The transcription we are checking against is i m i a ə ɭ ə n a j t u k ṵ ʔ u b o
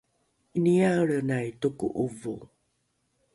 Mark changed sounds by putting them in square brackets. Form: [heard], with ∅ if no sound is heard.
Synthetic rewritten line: i [n] i a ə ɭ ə n a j t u k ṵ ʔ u [v] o